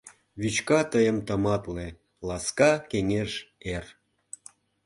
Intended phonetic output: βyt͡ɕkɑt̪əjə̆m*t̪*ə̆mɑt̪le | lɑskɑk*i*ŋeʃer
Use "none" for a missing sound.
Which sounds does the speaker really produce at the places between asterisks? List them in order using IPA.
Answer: t̪, e

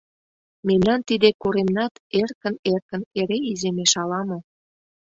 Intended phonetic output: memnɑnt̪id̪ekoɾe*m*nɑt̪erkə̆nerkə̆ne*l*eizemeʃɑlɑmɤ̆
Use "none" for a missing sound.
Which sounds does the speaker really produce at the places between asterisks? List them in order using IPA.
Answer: m, ɾ

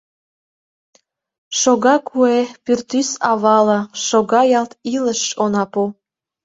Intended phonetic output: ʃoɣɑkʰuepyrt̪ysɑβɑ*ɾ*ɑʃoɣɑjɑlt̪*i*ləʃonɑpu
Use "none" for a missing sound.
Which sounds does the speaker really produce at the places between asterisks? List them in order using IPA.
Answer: l, i

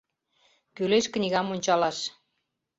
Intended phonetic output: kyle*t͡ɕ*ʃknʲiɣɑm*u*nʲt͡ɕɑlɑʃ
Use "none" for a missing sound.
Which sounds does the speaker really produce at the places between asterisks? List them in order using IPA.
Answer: none, o

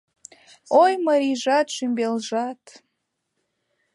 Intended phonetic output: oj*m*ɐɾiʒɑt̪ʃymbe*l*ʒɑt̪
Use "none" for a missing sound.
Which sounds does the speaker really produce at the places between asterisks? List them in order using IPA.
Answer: m, l

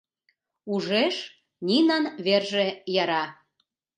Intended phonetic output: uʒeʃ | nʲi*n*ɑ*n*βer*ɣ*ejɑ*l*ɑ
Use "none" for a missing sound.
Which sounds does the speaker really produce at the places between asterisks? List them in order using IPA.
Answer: n, n, ʒ, ɾ

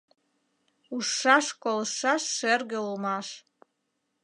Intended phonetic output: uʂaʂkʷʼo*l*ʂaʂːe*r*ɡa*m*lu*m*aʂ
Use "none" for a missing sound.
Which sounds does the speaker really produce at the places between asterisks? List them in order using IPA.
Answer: l, r, none, m

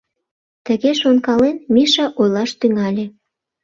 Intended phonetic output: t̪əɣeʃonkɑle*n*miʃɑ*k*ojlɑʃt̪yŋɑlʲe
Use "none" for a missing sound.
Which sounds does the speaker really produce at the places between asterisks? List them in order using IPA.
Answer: n, ʔ

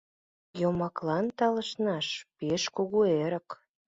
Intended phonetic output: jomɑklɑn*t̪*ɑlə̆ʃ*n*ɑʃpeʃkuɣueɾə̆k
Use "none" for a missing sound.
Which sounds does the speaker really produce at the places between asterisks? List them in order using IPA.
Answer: t̪, n

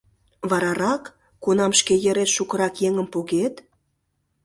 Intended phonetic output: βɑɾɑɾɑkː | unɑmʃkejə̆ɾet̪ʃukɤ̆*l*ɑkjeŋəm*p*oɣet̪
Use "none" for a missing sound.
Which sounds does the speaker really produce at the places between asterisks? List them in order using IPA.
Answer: ɾ, p

